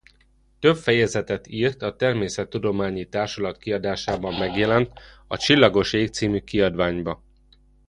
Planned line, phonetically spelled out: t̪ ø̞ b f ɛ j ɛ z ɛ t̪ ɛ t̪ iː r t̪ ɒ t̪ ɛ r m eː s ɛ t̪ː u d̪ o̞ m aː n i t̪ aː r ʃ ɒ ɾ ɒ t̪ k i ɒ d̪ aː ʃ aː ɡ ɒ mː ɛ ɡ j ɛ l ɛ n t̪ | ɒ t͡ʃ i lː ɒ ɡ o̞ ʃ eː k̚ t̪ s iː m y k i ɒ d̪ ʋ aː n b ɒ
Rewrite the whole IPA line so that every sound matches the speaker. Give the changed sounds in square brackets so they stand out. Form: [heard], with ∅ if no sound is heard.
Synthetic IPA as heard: t̪ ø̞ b f ɛ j ɛ z ɛ t̪ ɛ t̪ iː r t̪ ɒ t̪ ɛ r m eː s ɛ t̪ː u d̪ o̞ m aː [ɲ] i t̪ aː r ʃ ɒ [l] ɒ t̪ k i ɒ d̪ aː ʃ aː [b] ɒ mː ɛ ɡ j ɛ l ɛ n t̪ | ɒ t͡ʃ i lː ɒ ɡ o̞ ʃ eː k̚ t̪ s iː m y k i ɒ d̪ ʋ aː [ɲ] b ɒ